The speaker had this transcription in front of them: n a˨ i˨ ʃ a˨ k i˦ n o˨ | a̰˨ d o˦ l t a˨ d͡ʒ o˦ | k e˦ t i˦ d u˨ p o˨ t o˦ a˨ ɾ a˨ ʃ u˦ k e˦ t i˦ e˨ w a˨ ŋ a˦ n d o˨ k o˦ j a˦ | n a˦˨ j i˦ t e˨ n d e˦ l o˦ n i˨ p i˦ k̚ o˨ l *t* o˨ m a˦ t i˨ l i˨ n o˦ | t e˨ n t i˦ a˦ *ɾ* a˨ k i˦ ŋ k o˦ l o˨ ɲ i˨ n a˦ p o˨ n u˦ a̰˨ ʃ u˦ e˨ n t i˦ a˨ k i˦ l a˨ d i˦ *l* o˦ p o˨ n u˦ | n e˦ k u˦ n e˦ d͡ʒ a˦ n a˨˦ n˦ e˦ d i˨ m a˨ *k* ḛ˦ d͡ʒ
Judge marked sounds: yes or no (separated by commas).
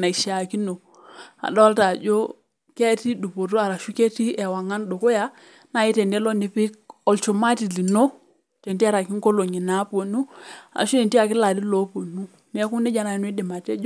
no, yes, yes, no